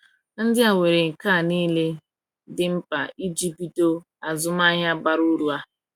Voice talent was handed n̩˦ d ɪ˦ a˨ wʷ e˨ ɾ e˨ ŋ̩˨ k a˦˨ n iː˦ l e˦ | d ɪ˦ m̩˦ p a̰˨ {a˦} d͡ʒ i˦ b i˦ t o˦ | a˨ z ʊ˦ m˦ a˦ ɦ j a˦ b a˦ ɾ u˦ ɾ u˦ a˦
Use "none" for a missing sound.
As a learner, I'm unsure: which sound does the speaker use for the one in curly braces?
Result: i˦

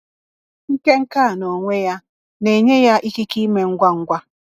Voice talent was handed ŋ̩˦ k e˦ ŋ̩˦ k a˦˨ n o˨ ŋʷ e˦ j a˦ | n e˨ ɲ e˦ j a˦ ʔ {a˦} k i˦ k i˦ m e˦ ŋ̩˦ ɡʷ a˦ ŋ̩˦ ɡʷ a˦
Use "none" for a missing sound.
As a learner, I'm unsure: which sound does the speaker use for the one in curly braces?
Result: i˦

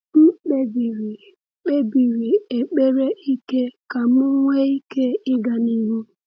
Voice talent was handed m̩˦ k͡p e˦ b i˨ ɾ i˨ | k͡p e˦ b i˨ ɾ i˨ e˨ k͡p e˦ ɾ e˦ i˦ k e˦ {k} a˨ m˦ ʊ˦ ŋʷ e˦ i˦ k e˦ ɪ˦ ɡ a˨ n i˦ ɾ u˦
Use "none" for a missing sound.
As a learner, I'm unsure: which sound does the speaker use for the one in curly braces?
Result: k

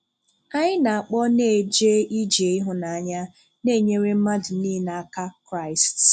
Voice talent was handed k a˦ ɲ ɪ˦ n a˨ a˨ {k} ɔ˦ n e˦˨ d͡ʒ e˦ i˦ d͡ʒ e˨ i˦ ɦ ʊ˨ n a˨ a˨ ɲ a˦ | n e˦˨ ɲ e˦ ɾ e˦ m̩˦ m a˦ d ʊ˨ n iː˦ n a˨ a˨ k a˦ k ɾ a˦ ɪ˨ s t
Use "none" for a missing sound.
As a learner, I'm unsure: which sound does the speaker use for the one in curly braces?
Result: k͡p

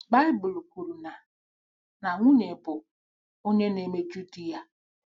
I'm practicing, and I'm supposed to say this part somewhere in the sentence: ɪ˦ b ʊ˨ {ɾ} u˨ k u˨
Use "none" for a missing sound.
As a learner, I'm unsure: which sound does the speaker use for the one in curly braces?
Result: l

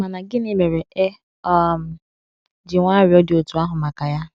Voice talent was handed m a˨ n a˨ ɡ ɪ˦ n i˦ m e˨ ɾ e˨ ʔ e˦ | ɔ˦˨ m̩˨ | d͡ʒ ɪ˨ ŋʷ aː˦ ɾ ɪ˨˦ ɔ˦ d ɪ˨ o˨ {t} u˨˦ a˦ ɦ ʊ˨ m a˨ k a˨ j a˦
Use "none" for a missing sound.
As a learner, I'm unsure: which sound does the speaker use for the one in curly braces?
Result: t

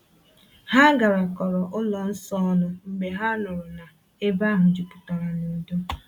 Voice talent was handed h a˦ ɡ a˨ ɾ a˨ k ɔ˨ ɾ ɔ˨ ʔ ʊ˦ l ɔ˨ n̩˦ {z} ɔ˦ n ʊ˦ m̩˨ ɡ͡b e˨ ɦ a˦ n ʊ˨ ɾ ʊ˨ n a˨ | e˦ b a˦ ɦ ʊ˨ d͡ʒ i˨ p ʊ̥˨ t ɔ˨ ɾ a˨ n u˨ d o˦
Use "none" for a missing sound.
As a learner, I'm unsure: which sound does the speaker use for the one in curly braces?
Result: s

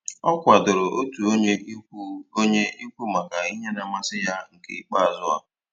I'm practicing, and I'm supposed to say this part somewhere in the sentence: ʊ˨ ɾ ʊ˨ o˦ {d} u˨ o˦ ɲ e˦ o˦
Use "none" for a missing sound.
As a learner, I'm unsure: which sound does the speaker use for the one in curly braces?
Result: t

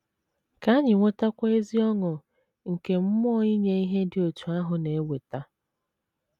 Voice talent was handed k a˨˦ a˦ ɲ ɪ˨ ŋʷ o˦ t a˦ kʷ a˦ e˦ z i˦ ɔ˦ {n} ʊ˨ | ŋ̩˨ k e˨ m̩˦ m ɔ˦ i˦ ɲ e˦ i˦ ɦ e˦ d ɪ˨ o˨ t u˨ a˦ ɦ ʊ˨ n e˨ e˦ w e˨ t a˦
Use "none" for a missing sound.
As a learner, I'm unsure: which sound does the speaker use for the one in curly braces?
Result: ŋ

